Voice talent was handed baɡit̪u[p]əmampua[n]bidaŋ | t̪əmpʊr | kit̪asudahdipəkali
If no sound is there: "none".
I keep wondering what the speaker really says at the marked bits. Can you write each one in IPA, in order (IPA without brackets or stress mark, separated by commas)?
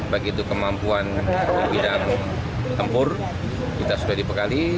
k, n